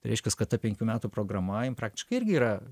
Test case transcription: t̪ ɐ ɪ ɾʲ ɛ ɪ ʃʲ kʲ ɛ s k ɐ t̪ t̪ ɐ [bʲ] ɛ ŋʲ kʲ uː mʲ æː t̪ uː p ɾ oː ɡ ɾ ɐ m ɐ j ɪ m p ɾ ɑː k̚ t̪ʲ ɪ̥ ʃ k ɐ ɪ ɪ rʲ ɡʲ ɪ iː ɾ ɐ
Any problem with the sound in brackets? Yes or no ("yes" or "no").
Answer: yes